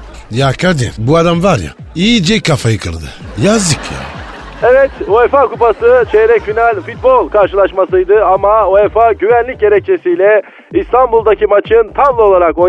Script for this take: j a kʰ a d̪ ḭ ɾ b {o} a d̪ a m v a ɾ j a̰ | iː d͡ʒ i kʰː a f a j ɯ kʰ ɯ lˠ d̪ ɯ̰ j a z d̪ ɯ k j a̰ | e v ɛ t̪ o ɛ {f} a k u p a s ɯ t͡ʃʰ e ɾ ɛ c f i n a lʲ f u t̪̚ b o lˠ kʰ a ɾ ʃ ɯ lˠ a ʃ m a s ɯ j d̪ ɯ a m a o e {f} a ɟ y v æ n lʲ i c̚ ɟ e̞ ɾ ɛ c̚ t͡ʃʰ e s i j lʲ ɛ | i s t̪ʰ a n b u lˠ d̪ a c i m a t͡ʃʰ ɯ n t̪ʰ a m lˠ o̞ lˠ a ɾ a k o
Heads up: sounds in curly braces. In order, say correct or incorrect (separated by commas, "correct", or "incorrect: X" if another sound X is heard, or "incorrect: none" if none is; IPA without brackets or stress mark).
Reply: incorrect: u, correct, correct